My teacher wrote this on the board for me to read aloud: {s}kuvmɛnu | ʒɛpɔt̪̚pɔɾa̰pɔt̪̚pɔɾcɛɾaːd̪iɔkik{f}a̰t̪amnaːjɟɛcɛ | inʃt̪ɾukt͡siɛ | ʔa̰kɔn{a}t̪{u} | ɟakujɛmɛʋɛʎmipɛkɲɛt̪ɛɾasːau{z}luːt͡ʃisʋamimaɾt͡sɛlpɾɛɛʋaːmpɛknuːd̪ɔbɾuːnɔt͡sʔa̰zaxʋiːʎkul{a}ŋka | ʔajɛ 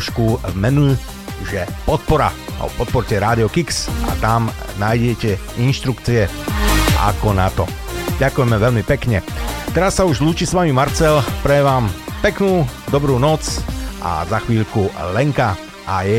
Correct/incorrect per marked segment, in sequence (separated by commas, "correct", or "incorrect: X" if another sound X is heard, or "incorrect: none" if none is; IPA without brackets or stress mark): incorrect: ʃ, incorrect: s, correct, incorrect: ɔ, incorrect: ʒ, incorrect: ɛ